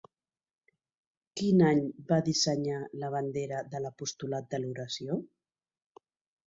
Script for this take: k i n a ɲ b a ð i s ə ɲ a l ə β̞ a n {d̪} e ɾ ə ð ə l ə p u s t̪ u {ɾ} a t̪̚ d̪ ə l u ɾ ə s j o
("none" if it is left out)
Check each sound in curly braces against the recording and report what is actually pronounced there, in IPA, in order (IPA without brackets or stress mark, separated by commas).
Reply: d̪, l